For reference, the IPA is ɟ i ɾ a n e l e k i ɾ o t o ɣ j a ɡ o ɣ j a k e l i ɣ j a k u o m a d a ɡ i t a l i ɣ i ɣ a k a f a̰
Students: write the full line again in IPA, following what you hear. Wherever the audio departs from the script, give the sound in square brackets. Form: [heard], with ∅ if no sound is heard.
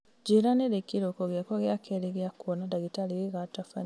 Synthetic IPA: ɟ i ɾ a n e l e k i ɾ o [k] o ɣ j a [k] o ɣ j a k e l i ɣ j a k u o [n] a d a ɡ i t a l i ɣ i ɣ a [t] a f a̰